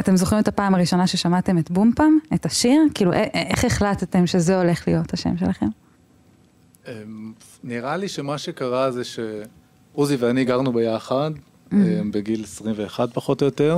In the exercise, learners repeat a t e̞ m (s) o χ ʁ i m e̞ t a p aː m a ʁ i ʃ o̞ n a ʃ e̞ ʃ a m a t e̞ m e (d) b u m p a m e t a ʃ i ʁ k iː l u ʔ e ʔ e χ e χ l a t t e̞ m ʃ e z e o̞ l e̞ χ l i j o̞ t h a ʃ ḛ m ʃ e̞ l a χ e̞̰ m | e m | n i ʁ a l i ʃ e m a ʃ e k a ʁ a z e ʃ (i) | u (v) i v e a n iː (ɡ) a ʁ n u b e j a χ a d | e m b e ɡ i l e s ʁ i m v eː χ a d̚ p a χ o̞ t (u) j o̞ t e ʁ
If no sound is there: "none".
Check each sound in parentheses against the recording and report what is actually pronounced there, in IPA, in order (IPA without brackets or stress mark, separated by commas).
z, t, e, z, ɡ, o